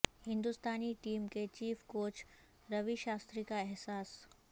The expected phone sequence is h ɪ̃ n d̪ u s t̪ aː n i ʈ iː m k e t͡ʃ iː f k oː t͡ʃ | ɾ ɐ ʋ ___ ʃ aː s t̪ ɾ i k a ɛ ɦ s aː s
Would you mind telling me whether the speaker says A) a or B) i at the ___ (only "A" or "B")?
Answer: B